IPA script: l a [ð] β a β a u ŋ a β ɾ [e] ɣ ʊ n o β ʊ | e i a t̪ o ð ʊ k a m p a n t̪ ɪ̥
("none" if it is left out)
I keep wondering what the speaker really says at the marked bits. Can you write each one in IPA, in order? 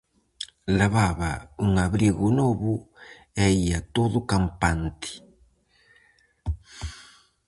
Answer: none, i

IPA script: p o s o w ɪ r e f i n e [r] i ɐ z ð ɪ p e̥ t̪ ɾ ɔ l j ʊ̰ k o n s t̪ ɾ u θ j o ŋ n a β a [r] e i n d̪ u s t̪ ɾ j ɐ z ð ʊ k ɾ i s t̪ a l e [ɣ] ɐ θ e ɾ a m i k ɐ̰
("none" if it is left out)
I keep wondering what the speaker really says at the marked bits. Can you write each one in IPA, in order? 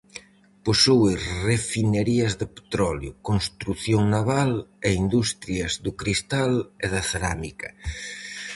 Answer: ɾ, l, ð

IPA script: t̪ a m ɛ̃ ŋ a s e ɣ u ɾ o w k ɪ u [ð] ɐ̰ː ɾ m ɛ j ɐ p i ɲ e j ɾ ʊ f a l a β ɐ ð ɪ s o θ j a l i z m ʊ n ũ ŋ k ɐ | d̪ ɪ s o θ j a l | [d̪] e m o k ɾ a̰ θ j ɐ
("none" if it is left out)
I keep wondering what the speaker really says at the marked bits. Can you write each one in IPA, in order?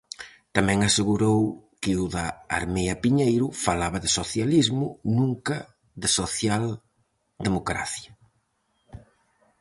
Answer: ð, d̪

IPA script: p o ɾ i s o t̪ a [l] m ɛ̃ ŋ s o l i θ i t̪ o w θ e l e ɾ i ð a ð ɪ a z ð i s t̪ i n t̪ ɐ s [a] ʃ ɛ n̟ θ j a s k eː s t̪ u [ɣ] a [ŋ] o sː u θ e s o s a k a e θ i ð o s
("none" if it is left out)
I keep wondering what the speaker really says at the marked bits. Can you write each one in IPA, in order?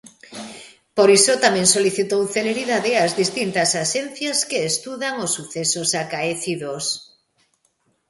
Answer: none, a, ð, ŋ

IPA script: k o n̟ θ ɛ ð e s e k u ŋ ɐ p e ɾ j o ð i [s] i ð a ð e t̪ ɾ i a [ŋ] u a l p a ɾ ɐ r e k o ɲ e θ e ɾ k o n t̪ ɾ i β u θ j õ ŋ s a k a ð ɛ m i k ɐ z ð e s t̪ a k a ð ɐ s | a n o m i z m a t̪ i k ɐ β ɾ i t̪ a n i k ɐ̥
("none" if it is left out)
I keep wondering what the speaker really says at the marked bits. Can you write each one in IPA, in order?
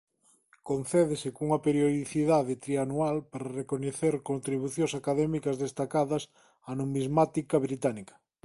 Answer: θ, n

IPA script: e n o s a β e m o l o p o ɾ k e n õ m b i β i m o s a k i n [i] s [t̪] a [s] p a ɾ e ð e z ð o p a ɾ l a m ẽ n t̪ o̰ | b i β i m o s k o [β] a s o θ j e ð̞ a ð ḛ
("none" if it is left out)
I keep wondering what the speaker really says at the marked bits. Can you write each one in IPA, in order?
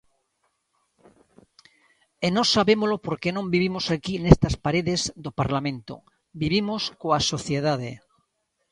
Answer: e, t̪, s, none

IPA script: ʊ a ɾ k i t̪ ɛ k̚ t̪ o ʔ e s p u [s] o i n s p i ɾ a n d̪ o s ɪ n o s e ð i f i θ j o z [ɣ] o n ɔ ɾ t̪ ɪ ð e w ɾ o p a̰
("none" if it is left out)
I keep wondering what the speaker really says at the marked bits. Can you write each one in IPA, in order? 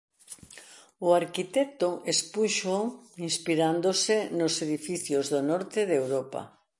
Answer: ʃ, ð

